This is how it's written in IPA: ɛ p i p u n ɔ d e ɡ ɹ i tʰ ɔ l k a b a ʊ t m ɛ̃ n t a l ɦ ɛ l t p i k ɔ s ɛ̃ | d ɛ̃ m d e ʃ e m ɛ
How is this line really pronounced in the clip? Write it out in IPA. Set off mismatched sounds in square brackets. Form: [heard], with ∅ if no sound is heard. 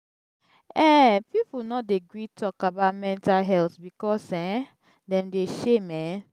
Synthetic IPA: ɛ p i p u n ɔ d e ɡ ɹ i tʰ ɔ [∅] k a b a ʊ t m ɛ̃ n t a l ɦ ɛ l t [b] i k ɔ s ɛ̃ | d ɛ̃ m d e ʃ e m ɛ